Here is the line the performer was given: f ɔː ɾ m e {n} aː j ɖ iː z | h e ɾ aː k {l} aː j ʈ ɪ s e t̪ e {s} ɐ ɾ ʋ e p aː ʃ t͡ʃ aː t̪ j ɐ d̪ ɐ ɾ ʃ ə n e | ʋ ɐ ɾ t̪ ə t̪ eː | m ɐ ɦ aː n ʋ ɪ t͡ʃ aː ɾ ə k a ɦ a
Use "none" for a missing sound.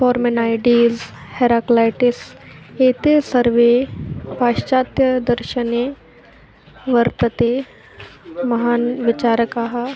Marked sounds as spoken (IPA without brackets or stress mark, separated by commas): n, l, s